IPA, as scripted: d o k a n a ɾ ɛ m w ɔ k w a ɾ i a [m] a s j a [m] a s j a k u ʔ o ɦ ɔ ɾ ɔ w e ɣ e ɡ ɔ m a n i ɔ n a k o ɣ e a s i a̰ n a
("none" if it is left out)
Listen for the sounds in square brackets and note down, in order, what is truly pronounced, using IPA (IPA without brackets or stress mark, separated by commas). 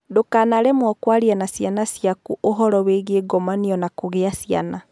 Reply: n, n